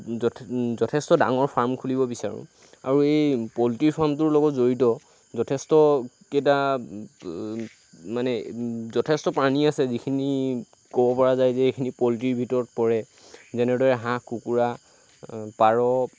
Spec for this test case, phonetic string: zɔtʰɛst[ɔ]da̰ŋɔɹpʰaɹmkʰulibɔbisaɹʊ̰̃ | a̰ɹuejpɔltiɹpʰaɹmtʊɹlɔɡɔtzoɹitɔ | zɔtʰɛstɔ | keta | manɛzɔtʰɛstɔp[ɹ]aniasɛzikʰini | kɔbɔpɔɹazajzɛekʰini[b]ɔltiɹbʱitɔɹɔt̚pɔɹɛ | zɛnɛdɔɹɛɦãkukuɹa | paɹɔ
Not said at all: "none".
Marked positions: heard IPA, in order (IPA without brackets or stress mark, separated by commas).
ɔ, ɹ, p